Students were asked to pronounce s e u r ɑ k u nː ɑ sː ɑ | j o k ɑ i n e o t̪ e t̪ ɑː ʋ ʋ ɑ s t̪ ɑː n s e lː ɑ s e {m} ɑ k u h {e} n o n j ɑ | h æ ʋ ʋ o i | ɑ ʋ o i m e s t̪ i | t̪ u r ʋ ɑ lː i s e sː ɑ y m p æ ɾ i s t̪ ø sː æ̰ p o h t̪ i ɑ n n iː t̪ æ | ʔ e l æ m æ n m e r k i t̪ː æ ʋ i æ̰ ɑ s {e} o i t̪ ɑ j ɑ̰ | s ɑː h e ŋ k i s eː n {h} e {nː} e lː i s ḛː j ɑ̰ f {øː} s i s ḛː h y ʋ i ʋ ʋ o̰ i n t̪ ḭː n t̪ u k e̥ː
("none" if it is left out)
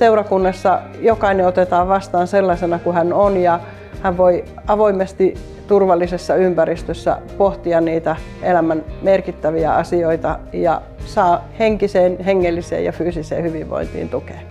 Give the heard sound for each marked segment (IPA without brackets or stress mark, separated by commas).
n, æ, i, h, ŋː, yː